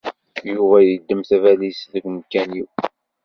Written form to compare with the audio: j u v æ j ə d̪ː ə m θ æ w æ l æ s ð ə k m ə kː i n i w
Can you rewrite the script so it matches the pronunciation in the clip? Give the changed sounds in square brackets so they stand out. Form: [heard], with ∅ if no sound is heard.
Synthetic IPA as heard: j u v æ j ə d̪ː ə m θ æ [v] æ l [i] s ð ə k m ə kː [æ] n i w

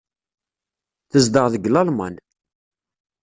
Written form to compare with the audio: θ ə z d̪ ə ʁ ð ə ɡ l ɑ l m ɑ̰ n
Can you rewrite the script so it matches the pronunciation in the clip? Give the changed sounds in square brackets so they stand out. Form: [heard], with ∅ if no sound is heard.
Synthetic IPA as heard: θ ə z d̪ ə ʁ ð ə ɡ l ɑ l m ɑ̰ n

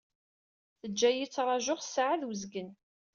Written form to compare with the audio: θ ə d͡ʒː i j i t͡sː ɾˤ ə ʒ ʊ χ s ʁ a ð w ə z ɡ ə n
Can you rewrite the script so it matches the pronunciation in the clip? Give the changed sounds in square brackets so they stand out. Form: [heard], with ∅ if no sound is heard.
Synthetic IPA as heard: θ ə d͡ʒː [æ] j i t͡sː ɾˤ [ɑ] ʒ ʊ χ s [ʕ] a ð w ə z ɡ ə n

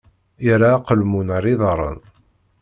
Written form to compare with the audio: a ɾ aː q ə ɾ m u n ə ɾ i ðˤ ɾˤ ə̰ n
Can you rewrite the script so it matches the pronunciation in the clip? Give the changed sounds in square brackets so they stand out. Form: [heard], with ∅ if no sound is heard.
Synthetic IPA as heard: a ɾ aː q ə [l] m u n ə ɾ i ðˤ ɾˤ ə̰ n

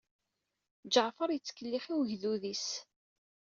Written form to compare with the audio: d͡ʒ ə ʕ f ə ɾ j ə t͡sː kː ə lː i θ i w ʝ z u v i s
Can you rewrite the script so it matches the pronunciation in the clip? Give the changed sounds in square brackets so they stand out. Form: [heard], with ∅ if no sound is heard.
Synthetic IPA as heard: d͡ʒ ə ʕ f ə ɾ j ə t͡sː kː ə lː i [χ] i w ʝ [ð] u [ð] i s

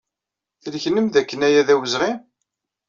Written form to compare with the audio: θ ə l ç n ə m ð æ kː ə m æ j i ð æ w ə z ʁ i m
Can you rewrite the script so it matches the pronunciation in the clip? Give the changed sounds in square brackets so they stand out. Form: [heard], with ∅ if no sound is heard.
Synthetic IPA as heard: θ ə l ç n ə m ð æ kː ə [n] æ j [æ] ð æ w ə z ʁ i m

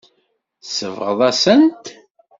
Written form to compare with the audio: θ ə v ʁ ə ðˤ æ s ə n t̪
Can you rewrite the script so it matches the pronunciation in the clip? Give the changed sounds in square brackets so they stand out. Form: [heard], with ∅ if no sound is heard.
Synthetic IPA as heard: [s] ə v ʁ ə ðˤ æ s ə n t̪

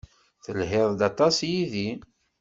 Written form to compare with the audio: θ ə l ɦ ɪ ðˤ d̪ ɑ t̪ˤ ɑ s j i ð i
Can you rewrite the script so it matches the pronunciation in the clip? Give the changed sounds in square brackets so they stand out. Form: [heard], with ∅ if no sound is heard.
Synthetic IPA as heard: θ ə l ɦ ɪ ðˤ d̪ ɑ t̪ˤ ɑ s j i ð i

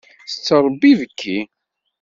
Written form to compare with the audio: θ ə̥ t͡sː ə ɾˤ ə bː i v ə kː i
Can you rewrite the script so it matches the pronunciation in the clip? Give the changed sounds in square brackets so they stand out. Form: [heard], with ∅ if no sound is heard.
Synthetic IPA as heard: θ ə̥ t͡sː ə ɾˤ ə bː i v ə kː i

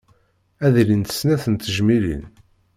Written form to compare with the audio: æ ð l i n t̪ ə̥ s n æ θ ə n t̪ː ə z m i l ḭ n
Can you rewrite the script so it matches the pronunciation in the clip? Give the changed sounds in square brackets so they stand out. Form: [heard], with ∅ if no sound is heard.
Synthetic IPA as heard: æ ð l i n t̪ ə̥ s n æ θ ə n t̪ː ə [ʒ] m i l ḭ n

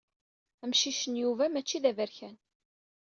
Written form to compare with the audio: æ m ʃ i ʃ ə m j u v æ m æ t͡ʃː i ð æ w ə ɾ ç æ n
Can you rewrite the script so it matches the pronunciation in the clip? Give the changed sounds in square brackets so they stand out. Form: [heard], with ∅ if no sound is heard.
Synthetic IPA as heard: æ m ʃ i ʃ ə [n] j u v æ m æ t͡ʃː i ð æ [v] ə ɾ ç æ n

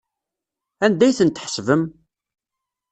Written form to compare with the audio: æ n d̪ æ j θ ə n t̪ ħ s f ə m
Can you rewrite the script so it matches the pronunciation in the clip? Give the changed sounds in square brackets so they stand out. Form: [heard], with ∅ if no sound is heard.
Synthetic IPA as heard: æ n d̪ æ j θ ə n t̪ ħ s [v] ə m

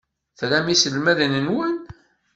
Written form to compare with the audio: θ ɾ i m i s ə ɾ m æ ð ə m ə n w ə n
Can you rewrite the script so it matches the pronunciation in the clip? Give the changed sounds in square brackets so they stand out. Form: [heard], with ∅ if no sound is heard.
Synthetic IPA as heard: θ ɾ [æ] m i s ə [l] m æ ð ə [n] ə n w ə n

